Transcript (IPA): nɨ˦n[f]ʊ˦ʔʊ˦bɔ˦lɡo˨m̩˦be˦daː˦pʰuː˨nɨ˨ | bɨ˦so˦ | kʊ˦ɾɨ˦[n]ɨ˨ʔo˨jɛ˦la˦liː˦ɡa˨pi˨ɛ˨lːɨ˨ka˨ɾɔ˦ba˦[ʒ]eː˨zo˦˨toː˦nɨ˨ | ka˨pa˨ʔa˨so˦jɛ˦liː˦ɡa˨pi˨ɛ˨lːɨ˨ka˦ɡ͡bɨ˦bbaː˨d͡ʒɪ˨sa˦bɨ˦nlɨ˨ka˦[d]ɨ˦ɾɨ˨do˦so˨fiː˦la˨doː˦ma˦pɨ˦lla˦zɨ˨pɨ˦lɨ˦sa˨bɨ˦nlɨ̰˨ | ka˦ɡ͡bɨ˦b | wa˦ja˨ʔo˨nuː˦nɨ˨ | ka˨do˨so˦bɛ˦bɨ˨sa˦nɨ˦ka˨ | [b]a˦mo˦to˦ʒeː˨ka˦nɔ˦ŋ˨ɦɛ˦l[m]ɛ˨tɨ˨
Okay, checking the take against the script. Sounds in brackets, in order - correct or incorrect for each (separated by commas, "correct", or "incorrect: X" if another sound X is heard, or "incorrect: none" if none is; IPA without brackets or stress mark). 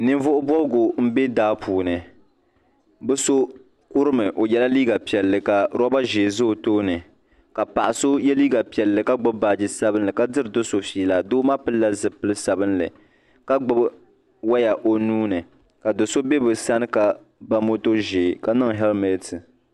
incorrect: v, incorrect: m, correct, correct, correct, correct